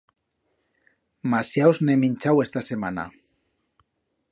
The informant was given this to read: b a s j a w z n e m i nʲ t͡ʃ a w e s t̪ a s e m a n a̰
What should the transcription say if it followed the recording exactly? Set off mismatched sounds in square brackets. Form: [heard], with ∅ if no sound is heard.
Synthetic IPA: [m] a s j a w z n e m i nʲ t͡ʃ a w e s t̪ a s e m a n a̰